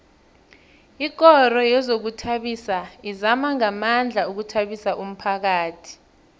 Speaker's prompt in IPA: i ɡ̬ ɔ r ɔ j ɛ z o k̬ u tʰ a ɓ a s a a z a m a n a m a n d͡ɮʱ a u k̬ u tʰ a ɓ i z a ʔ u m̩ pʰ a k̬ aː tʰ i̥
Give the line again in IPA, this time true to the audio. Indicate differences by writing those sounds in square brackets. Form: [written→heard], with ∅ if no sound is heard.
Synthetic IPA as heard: i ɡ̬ ɔ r ɔ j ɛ z o k̬ u tʰ a ɓ [a→i] s a [a→i] z a m a [n→ŋ] a m a n d͡ɮʱ a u k̬ u tʰ a ɓ i [z→s] a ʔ u m̩ pʰ a k̬ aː tʰ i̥